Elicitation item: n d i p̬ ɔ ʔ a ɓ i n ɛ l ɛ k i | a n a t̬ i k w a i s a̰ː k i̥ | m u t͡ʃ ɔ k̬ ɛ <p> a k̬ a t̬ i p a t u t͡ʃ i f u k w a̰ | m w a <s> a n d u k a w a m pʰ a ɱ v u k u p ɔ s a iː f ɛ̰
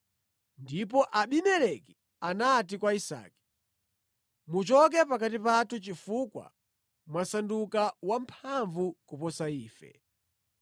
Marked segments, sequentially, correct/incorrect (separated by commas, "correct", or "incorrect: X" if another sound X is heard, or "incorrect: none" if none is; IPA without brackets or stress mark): correct, correct